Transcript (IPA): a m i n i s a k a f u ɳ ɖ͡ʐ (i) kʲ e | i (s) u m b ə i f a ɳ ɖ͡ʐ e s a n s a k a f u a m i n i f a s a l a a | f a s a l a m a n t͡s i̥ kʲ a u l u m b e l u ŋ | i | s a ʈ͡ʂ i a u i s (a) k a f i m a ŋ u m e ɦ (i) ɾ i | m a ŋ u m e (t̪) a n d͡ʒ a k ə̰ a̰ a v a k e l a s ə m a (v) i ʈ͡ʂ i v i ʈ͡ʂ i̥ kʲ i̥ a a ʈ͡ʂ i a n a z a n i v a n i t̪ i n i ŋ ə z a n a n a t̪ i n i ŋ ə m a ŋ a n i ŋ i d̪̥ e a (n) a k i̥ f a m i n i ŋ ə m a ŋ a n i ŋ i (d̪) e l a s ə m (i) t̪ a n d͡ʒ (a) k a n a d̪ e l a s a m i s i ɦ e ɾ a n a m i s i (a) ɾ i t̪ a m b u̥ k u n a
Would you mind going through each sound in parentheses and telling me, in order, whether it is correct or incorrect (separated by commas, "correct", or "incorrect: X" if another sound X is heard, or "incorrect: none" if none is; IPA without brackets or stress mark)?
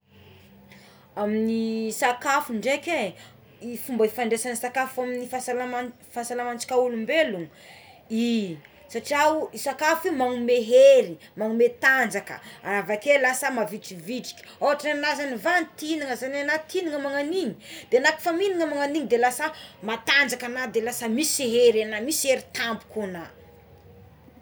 incorrect: e, incorrect: f, correct, incorrect: e, correct, correct, correct, correct, incorrect: a, correct, incorrect: e